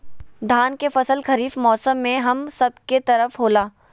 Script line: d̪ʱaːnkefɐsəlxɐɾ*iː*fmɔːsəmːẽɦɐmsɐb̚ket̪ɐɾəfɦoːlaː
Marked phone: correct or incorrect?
correct